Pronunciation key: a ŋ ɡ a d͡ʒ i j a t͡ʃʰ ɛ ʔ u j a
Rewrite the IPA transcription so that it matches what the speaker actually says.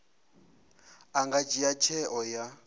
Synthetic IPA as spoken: a ŋ ɡ a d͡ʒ i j a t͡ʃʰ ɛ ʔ ɔ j a